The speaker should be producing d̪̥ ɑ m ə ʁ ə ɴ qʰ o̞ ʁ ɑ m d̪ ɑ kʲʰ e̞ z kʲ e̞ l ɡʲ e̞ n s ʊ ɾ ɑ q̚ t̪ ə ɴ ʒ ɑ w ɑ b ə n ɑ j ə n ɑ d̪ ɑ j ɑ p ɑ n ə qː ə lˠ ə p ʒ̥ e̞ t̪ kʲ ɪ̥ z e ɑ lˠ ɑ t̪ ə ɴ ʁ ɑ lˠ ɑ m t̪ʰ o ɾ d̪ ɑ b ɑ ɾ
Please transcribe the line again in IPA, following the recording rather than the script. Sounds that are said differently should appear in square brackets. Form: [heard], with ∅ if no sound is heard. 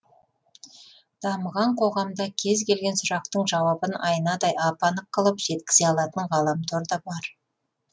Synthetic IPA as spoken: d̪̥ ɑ m ə ʁ [ɑ] ɴ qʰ o̞ ʁ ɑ m d̪ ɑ kʲʰ e̞ z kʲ e̞ l ɡʲ e̞ n s ʊ ɾ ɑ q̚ t̪ ə ɴ ʒ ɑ w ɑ b ə n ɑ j ə n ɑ d̪ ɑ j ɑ p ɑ n ə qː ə lˠ ə p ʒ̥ e̞ t̪ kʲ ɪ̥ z e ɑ lˠ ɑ t̪ ə ɴ ʁ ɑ lˠ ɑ m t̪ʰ o ɾ d̪ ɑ b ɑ ɾ